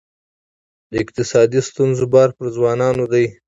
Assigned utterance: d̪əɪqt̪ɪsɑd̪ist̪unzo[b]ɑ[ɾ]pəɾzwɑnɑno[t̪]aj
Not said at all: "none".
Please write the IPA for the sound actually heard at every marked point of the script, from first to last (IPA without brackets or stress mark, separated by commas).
b, ɾ, d̪